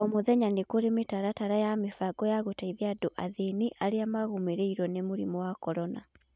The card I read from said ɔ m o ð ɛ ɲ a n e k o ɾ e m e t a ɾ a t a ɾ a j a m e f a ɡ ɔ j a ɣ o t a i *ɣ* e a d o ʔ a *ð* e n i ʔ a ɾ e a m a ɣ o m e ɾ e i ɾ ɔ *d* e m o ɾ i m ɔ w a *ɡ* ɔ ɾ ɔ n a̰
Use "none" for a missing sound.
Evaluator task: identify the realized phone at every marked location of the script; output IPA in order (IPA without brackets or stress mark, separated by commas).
ð, ð, n, k